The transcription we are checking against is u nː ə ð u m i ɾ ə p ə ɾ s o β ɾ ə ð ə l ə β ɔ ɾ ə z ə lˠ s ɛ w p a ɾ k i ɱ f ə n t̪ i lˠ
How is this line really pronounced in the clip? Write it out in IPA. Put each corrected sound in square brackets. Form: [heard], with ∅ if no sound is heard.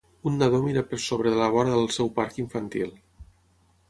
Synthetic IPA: u nː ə ð [o] m i ɾ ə p ə ɾ s o β ɾ ə ð ə l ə β ɔ ɾ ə [ð] ə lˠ s ɛ w p a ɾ k i ɱ f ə n t̪ i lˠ